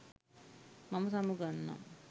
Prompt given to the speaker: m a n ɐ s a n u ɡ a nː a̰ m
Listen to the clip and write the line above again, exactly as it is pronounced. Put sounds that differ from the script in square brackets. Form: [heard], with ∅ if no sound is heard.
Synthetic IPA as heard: m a [m] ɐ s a [m] u ɡ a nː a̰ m